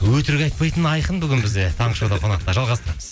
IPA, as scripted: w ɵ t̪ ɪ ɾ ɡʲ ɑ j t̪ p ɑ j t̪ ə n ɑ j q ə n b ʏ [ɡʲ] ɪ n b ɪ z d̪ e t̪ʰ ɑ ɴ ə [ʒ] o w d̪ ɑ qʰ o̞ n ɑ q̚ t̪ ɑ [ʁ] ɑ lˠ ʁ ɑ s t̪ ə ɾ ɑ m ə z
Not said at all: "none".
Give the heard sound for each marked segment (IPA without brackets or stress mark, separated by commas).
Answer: ɡʲ, ʃ, ʒ